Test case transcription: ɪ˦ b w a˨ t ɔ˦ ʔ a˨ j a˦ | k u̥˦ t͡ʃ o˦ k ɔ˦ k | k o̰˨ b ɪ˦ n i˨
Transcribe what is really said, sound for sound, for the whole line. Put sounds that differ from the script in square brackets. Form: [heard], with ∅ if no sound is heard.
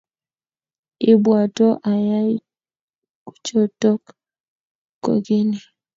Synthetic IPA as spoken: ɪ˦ b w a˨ t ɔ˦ ʔ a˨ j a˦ | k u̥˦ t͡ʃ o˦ [t] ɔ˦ k | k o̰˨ [ɡ] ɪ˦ n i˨